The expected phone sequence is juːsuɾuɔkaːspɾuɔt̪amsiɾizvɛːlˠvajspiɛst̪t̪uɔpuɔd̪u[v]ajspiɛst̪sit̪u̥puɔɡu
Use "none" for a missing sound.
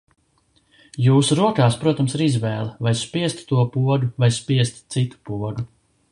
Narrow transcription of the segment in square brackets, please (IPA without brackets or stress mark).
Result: v